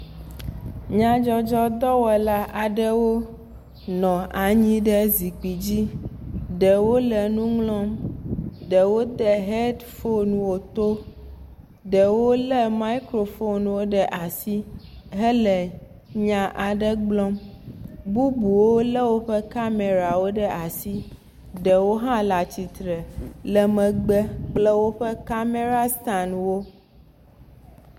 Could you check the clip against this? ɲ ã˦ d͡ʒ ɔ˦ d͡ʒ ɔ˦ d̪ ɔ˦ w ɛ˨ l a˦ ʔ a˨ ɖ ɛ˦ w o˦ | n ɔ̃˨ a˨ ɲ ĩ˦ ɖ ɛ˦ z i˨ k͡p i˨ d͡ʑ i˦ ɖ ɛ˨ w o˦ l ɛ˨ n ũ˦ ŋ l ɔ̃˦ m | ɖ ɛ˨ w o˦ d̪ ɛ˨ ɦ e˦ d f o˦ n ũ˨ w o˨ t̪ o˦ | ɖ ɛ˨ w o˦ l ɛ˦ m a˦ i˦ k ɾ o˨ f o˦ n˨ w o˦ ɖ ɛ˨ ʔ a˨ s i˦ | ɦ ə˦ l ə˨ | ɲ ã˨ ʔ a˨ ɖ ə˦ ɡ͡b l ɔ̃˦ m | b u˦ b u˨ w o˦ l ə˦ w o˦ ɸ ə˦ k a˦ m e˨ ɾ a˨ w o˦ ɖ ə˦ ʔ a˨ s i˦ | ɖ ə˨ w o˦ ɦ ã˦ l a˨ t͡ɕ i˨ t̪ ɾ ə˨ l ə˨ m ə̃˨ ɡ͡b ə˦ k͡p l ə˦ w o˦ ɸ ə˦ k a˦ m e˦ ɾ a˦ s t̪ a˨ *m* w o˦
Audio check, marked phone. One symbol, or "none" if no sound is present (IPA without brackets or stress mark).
n